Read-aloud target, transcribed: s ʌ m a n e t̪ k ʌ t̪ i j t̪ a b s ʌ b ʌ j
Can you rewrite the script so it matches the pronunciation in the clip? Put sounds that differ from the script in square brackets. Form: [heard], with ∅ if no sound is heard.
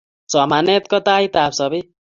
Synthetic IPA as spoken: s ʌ m a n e t̪ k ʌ t̪ [a] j t̪ a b s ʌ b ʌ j

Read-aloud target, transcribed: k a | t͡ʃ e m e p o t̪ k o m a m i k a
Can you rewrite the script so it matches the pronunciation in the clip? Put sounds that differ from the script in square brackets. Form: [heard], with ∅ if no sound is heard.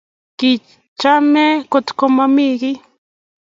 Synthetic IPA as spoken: k [i] | t͡ʃ [a] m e [k] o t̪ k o m a m i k [i]

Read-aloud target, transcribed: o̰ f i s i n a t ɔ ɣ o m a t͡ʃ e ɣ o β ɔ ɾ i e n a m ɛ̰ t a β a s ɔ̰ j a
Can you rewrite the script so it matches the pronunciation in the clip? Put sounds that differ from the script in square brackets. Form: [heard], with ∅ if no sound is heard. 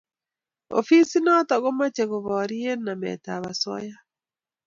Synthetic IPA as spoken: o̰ f i s i n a t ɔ ɣ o m a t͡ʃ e ɣ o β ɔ ɾ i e n a m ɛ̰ t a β a s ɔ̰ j a

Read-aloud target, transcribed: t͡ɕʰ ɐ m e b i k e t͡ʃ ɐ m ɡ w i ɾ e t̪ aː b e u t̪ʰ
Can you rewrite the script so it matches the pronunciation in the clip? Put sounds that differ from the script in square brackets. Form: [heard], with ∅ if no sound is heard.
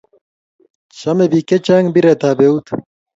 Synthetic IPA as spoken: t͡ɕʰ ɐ m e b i k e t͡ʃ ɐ [ŋ] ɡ [b] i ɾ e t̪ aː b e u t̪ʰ

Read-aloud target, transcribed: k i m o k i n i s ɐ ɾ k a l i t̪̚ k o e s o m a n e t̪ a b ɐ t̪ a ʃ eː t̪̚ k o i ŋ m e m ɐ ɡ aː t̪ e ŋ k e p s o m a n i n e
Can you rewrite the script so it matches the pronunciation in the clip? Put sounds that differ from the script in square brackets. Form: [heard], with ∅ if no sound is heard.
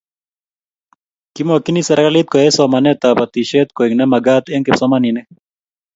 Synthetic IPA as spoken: k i m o k i n i s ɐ ɾ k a l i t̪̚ k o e s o m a n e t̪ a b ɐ t̪ [i] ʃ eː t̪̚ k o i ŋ [n] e m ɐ ɡ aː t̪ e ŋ k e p s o m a n i n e

